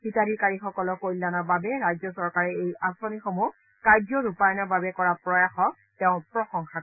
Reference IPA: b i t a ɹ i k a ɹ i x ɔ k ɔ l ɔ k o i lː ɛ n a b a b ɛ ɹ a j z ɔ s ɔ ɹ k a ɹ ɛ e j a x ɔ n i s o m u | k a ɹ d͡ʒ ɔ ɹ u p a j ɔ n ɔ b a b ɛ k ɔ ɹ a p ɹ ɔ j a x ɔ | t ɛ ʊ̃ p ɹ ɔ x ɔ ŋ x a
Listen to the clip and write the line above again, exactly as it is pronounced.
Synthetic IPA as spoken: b i t a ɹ i k a ɹ i x ɔ k ɔ l ɔ k o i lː a n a b a b ɛ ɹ a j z ɔ s ɔ ɹ k a ɹ ɛ e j a s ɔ n i x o m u | k a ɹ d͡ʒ ɔ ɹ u p a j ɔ n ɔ b a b ɛ k ɔ ɹ a p ɹ ɔ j a x ɔ | t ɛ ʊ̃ p ɹ ɔ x ɔ ŋ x a